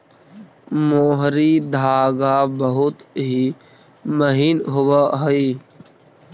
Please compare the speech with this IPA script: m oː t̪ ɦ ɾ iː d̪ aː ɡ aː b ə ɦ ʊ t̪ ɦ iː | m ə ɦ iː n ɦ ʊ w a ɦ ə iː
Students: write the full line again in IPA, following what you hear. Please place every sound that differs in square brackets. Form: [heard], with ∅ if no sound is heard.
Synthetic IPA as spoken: m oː [∅] ɦ ɾ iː d̪ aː ɡ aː b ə ɦ ʊ t̪ ɦ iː | m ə ɦ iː n ɦ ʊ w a ɦ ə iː